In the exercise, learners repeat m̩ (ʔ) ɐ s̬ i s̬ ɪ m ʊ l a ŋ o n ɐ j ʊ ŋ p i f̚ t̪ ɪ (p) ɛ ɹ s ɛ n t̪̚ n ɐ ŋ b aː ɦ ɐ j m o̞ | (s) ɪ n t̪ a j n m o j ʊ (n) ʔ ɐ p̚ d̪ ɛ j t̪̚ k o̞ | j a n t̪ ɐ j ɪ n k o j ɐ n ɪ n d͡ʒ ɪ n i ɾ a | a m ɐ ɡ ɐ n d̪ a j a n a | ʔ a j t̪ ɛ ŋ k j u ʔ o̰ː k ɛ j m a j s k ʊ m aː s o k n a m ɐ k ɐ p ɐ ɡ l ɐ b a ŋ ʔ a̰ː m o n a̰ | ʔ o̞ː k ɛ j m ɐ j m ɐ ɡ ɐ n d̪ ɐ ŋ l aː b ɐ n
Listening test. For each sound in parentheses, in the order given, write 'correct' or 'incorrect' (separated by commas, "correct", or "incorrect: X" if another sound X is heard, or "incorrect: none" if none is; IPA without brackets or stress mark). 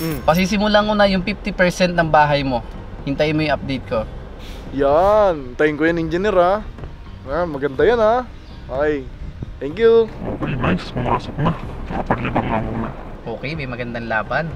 incorrect: p, correct, incorrect: h, incorrect: ŋ